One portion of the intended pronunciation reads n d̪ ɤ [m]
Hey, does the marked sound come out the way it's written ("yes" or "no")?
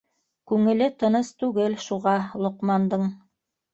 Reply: no